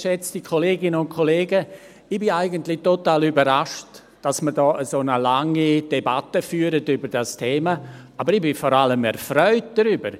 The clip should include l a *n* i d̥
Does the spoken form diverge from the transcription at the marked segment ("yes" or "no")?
yes